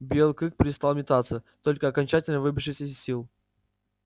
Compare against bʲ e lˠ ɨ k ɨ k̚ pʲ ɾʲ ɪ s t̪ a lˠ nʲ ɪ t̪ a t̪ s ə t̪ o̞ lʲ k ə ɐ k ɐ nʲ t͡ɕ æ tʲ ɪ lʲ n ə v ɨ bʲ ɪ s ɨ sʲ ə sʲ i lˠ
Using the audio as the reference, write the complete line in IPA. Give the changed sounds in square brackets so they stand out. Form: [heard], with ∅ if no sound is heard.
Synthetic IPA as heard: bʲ e lˠ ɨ k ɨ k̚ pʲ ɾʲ ɪ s t̪ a lˠ [mʲ] ɪ t̪ a t̪ s ə t̪ o̞ lʲ k ə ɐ k ɐ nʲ t͡ɕ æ tʲ ɪ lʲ n ə v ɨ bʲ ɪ [ʂ] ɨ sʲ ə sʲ i lˠ